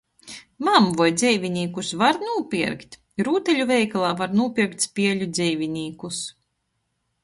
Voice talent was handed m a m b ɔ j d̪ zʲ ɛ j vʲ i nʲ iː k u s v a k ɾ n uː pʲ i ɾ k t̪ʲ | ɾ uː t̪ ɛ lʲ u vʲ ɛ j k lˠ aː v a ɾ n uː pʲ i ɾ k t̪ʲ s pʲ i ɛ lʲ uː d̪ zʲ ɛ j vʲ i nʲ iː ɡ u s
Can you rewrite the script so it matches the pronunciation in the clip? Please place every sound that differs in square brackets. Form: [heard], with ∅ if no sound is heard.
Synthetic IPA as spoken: m a m [v] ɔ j d̪ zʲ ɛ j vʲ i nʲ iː k u s v a [∅] ɾ n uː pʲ i ɾ k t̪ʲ | ɾ uː t̪ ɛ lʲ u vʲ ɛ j k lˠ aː v a ɾ n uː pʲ i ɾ k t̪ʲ s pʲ i ɛ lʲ [u] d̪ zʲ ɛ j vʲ i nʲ iː [k] u s